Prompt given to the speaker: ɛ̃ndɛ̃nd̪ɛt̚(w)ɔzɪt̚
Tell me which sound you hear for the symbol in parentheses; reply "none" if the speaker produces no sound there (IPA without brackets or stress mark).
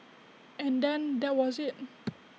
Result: w